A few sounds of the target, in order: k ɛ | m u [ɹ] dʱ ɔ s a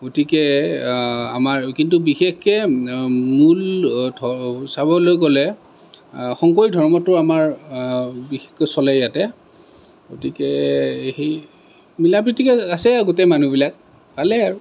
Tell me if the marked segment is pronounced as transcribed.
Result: no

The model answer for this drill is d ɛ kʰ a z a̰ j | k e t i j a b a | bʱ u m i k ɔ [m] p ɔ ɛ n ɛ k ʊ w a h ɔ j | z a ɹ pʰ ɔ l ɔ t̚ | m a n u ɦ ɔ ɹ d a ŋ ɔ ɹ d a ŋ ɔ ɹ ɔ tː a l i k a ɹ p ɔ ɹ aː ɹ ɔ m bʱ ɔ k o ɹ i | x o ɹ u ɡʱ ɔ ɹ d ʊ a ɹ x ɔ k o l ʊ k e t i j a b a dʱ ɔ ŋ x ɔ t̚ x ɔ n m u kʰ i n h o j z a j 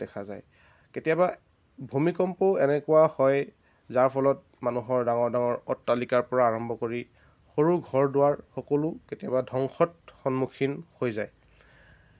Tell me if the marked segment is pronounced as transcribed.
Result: yes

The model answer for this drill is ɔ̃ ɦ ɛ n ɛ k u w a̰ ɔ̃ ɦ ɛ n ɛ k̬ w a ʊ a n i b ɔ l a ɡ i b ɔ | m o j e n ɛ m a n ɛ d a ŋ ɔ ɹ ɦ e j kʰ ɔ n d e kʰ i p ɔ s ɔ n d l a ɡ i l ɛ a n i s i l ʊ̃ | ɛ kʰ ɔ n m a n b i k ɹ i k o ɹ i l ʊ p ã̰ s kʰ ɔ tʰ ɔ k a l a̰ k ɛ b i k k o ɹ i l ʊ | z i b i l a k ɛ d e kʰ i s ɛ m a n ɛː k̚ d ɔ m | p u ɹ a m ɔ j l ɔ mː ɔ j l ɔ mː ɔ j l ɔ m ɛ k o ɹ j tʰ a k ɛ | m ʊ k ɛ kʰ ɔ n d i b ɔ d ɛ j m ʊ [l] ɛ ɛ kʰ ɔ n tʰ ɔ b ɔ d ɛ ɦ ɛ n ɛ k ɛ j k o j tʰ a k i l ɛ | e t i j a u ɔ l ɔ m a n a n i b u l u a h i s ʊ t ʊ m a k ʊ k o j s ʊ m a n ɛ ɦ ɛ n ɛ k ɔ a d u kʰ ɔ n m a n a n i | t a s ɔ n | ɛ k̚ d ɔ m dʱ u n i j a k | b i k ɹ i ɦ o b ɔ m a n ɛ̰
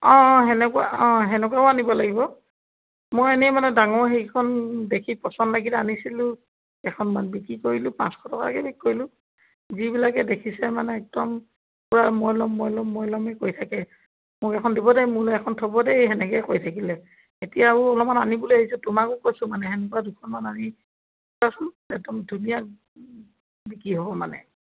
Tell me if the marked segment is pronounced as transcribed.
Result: yes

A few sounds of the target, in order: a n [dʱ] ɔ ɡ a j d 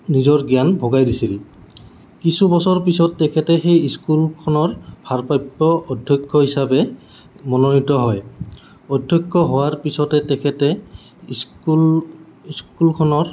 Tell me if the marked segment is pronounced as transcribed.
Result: no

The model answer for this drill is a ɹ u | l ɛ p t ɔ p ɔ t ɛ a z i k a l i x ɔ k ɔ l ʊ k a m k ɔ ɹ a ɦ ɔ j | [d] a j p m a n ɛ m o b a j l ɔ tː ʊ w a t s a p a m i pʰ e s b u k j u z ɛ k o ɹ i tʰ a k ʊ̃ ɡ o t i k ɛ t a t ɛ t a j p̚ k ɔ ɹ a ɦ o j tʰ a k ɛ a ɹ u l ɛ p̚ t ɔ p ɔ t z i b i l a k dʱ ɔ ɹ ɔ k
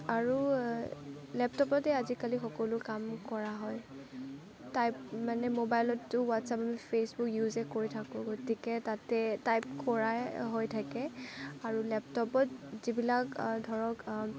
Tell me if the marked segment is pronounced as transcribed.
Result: no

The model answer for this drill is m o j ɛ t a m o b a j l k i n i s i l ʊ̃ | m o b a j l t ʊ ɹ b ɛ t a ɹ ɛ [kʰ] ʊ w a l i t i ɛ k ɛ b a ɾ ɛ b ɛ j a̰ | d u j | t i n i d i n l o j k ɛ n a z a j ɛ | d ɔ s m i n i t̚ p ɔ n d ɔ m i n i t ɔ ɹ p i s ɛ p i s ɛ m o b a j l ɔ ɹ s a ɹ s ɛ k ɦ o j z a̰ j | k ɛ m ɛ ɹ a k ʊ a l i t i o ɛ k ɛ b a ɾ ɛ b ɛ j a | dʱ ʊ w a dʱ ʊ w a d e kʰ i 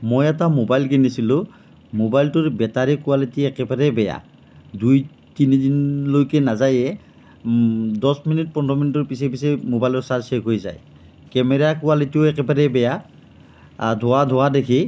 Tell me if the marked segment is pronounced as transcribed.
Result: no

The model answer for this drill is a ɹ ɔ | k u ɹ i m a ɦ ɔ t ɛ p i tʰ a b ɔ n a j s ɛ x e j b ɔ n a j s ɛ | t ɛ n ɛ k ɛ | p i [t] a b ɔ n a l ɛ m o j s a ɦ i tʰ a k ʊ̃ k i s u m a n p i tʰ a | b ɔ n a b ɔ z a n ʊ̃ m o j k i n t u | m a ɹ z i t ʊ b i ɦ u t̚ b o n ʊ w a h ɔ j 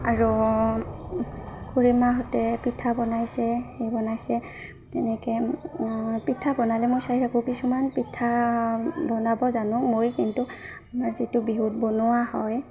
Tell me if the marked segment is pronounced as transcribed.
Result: no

